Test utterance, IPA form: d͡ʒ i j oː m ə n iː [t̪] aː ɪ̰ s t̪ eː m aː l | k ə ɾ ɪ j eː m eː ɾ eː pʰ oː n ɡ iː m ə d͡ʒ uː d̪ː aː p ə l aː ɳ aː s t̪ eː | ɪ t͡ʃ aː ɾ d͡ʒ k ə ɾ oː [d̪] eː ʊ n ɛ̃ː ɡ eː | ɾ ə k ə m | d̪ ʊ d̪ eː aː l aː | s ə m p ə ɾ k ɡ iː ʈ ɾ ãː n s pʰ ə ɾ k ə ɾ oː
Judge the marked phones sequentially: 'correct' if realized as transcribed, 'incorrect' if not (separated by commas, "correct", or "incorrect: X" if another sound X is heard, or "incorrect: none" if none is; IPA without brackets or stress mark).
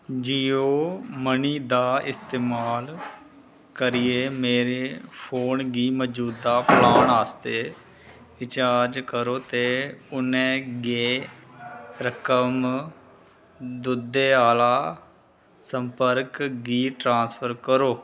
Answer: incorrect: d̪, incorrect: t̪